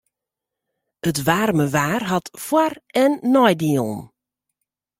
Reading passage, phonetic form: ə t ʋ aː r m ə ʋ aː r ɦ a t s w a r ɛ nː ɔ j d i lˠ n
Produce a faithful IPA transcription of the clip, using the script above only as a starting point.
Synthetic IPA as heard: ə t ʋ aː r m ə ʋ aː r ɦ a t f w a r ɛ nː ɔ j d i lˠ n